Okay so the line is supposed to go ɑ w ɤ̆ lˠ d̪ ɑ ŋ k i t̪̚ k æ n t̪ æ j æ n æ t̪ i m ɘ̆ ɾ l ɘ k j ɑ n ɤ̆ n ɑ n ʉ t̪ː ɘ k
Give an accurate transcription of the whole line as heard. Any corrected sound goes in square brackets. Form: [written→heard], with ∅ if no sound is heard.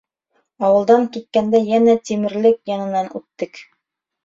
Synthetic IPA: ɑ w ɤ̆ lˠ d̪ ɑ ŋ k i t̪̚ k æ n [t̪→d̪] æ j æ n æ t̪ i m ɘ̆ ɾ l ɘ k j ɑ n ɤ̆ n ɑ n ʉ t̪ː ɘ k

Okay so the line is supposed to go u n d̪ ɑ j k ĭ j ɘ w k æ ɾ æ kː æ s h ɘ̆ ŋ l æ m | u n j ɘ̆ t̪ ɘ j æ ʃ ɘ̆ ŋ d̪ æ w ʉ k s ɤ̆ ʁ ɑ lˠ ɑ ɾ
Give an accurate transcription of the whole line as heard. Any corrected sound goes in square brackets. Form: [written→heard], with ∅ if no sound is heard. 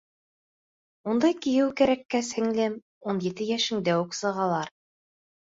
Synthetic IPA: u n d̪ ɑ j k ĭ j ɘ w k æ ɾ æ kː æ s h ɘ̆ ŋ l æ m | u n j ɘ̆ t̪ ɘ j æ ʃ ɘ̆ ŋ d̪ æ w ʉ k s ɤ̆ ʁ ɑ lˠ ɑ ɾ

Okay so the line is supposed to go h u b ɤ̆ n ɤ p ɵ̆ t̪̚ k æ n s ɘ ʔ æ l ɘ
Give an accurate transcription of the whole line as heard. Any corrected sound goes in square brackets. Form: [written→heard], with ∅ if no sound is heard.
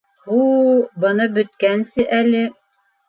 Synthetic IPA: h u b ɤ̆ n ɤ [p→b] ɵ̆ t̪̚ k æ n s ɘ ʔ æ l ɘ

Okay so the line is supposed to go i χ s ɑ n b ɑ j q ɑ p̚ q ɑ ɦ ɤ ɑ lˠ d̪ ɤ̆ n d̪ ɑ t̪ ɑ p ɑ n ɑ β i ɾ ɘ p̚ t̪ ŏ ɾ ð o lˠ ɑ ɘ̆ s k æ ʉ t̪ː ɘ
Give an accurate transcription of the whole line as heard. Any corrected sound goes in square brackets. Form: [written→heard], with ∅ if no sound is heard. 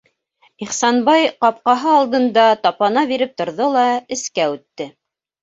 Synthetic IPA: i χ s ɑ n b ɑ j q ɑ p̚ q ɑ ɦ ɤ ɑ lˠ d̪ ɤ̆ n d̪ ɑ t̪ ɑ p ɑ n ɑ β i ɾ ɘ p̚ t̪ ŏ ɾ ð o lˠ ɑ ɘ̆ s k æ ʉ t̪ː ɘ

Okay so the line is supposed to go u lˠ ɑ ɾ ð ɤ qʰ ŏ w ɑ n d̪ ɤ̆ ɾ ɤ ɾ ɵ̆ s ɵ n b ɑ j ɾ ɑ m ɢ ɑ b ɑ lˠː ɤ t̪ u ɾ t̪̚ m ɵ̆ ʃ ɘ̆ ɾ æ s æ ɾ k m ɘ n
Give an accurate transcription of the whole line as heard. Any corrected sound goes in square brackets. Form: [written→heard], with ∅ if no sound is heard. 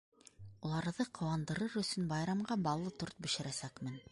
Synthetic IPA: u lˠ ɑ ɾ ð ɤ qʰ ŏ w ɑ n d̪ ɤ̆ ɾ ɤ ɾ ɵ̆ s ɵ n b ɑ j ɾ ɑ m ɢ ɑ b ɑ lˠː ɤ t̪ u ɾ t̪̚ [m→b] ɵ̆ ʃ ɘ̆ ɾ æ s æ [ɾ→∅] k m ɘ n

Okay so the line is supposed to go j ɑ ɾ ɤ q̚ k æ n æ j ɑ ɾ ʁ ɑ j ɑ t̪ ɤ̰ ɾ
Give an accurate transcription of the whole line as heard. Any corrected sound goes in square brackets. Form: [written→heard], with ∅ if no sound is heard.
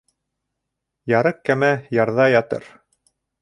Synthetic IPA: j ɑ ɾ ɤ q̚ k æ [n→m] æ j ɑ ɾ [ʁ→ð] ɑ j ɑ t̪ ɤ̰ ɾ

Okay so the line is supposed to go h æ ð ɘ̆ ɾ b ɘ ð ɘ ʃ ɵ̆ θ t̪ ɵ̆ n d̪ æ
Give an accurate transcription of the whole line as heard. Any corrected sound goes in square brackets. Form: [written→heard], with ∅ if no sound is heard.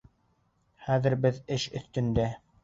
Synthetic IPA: [h→χ] æ ð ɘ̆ ɾ b ɘ ð ɘ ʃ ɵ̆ θ t̪ ɵ̆ n d̪ æ

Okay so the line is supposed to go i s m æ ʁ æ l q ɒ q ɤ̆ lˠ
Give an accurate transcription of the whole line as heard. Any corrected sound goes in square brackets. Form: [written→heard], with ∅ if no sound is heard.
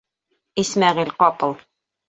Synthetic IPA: i s m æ ʁ [æ→i] l q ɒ [q→p] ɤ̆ lˠ

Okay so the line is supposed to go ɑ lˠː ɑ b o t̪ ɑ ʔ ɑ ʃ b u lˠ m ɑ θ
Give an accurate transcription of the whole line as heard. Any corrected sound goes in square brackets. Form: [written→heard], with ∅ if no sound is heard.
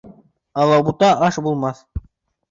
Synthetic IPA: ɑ [lˠː→lˠ] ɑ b [o→u] t̪ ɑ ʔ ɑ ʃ b u lˠ m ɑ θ

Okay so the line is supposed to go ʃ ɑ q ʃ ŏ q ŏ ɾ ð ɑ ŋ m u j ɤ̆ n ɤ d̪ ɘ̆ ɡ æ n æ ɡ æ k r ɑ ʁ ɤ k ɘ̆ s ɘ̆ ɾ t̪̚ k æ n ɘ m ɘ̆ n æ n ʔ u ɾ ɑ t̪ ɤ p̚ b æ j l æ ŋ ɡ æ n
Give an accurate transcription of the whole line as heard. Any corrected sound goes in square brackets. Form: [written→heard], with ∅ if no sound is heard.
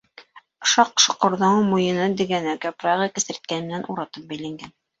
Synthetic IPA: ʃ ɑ q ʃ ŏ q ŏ ɾ ð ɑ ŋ m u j ɤ̆ n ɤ d̪ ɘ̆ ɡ æ n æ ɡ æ [k→p] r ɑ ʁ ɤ k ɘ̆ s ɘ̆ ɾ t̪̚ k æ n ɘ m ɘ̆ n æ n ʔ u ɾ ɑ t̪ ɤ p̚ b æ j l æ ŋ ɡ æ n

